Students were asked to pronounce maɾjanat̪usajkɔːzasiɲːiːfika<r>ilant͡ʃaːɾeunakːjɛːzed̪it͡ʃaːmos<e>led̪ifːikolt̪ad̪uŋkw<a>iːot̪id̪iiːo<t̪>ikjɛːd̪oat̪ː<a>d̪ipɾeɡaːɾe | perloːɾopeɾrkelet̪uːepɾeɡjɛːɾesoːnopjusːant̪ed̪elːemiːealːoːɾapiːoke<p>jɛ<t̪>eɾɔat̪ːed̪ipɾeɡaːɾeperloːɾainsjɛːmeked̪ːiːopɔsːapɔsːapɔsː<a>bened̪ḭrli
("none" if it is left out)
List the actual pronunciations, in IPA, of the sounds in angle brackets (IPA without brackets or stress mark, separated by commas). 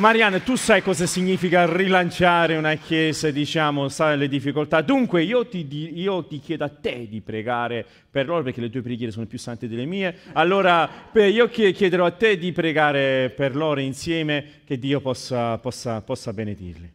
r, a, e, t̪, e, k, d̪, a